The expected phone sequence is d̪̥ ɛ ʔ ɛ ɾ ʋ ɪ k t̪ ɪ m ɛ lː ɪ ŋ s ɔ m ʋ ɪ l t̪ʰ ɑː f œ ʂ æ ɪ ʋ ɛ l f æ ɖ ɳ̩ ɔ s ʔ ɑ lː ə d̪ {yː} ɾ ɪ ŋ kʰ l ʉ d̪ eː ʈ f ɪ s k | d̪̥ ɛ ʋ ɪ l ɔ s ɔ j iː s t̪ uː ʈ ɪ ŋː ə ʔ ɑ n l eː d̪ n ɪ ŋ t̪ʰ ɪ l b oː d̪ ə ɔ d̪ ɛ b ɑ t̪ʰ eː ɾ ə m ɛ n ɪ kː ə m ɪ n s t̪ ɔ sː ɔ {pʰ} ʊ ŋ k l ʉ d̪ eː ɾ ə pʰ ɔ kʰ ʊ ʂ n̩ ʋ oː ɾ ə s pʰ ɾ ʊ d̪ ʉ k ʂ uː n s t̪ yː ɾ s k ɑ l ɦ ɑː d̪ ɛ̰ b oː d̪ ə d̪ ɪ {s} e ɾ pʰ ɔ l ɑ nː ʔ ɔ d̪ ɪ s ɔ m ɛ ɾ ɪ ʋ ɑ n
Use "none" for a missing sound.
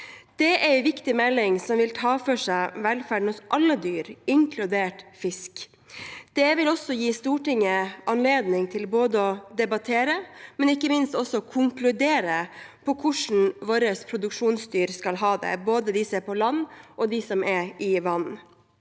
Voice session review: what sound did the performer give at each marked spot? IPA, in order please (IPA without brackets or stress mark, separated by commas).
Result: yː, kʰ, s